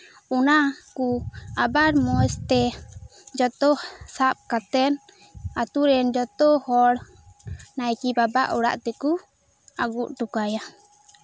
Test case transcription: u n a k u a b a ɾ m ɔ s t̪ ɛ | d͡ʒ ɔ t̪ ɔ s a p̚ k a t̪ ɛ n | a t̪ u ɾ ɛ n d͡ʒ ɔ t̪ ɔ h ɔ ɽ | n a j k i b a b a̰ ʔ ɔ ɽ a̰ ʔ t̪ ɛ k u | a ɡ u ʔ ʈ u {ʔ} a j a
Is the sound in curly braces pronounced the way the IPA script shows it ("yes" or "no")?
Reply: no